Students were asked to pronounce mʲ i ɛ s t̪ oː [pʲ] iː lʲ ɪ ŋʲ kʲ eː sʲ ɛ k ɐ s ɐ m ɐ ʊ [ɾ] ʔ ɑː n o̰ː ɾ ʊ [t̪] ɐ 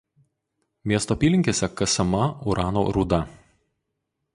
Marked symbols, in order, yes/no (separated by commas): yes, yes, no